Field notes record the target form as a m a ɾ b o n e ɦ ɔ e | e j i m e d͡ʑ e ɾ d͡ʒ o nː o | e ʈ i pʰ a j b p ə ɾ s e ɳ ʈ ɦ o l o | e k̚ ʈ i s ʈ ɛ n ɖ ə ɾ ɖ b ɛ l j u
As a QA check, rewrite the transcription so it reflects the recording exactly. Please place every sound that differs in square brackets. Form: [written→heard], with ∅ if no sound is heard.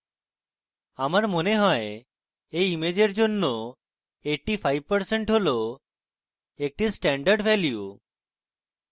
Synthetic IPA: a m a ɾ [b→m] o n e ɦ ɔ e | e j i m e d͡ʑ e ɾ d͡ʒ o nː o | e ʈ i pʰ a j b p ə ɾ s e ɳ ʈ ɦ o l o | e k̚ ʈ i s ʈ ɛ [n→ɳ] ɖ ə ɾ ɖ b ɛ l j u

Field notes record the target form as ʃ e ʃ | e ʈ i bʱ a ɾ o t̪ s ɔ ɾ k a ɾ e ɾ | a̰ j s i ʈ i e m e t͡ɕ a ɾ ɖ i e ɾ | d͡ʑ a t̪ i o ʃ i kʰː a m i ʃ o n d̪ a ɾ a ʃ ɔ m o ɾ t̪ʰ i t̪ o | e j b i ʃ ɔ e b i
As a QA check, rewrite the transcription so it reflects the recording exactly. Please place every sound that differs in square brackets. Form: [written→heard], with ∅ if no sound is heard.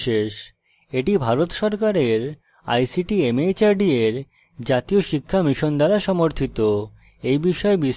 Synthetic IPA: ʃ e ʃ | e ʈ i bʱ a ɾ o t̪ [s→ʃ] ɔ ɾ k a ɾ e ɾ | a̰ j s i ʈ i e m e t͡ɕ a ɾ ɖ i e ɾ | d͡ʑ a t̪ i o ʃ i kʰː a m i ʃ o n d̪ a ɾ a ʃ ɔ m o ɾ t̪ʰ i t̪ o | e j b i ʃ ɔ e b i

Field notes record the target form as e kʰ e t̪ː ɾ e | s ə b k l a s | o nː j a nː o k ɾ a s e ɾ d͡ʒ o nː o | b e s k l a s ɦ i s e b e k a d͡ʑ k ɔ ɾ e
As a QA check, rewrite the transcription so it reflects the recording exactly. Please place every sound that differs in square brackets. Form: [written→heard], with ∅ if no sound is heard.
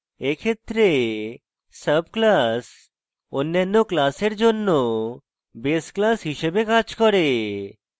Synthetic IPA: e kʰ e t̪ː ɾ e | s ə b k l a s | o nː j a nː o k [ɾ→l] a s e ɾ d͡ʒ o nː o | b e s k l a s ɦ i [s→ʃ] e b e k a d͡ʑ k ɔ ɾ e

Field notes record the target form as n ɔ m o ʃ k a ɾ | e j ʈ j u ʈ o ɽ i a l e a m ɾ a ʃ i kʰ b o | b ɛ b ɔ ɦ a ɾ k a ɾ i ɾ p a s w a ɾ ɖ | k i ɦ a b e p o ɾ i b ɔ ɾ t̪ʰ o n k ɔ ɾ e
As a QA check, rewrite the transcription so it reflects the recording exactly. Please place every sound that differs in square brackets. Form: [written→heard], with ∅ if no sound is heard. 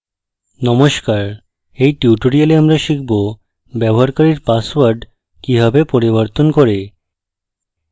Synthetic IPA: n ɔ m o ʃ k a ɾ | e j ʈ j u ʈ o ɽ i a l e a m ɾ a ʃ i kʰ b o | b ɛ b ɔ ɦ a ɾ k a ɾ i ɾ p a s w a ɾ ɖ | k i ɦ a b e p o ɾ i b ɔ ɾ [t̪ʰ→t̪] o n k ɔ ɾ e

